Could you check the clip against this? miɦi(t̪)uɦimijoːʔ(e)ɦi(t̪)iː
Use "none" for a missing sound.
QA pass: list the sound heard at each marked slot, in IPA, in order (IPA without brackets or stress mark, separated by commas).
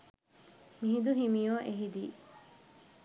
d̪, e, d̪